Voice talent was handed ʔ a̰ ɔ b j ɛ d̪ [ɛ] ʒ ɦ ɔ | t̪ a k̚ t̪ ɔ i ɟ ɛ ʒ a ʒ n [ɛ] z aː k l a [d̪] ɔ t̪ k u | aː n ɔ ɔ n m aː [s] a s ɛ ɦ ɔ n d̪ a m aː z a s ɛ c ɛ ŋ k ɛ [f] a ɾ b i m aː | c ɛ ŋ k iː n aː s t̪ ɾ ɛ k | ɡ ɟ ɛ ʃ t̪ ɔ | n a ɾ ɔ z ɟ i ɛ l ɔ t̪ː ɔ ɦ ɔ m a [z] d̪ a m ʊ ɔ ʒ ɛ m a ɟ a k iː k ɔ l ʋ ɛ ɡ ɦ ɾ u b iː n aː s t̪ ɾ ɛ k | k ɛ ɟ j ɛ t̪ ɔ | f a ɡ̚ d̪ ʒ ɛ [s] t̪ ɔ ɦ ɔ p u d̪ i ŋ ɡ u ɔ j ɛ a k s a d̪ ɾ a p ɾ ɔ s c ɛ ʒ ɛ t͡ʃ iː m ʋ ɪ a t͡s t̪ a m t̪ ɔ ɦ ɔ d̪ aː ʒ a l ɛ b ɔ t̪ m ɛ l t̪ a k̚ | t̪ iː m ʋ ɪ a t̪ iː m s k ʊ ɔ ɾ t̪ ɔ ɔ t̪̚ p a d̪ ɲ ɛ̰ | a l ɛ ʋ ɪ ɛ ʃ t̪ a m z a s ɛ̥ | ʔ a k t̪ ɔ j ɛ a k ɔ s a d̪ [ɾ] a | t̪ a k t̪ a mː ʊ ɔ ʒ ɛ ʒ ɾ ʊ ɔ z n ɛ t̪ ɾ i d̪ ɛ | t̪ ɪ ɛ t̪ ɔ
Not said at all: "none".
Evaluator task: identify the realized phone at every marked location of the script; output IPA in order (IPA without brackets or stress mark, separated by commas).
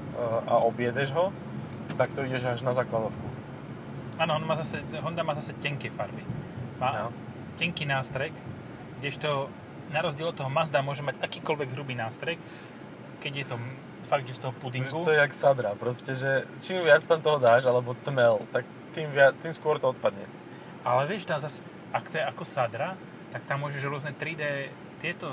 ɛ, a, d̪, z, f, z, s, ɾ